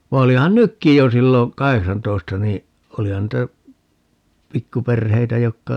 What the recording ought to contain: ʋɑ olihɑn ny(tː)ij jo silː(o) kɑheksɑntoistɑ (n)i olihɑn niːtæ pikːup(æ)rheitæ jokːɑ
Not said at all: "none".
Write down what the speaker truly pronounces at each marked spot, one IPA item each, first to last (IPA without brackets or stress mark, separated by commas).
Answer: kː, o, n, e